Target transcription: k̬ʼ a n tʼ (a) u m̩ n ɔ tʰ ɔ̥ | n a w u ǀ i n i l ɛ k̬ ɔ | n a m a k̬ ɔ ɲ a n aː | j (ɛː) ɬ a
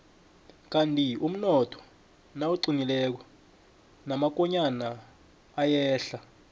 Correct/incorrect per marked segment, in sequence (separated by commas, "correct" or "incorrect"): incorrect, correct